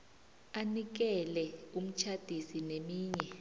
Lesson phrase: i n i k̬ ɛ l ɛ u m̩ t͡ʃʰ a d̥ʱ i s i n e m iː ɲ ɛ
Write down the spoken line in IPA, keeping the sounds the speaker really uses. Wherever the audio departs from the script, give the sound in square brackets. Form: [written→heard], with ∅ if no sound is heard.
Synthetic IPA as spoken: [i→a] n i k̬ ɛ l ɛ u m̩ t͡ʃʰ a d̥ʱ i s i n e m iː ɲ ɛ